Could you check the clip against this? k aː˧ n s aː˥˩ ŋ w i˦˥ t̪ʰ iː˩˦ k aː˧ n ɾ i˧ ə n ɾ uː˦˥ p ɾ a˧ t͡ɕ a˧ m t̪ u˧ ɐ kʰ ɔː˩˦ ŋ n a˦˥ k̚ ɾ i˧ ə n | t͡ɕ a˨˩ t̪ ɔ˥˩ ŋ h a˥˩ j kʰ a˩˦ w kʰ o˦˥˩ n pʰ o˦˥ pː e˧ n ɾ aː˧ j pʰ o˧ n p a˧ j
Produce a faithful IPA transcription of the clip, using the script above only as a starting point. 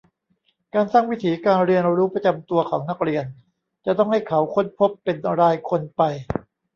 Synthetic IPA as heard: k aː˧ n s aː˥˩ ŋ w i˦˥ t̪ʰ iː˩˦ k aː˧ n ɾ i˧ ə n ɾ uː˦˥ p ɾ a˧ t͡ɕ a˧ m t̪ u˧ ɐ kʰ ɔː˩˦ ŋ n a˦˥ k̚ ɾ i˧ ə n | t͡ɕ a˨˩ t̪ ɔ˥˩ ŋ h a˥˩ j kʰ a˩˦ w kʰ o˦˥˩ n pʰ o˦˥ pː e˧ n ɾ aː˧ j kʰ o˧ n p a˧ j